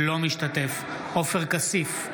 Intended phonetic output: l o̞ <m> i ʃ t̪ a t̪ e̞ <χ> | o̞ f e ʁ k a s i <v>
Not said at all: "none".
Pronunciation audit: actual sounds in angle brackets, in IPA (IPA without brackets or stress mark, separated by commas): m, f, f